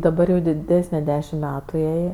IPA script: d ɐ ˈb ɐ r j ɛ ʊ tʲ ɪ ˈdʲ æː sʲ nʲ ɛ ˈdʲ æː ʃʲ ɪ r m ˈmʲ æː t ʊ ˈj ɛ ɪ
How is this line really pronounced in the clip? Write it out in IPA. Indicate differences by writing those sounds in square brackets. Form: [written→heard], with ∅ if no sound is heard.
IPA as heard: d ɐ ˈb ɐ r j ɛ ʊ [tʲ→dʲ] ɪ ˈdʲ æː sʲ nʲ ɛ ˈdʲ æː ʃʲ ɪ [r→∅] m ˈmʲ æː t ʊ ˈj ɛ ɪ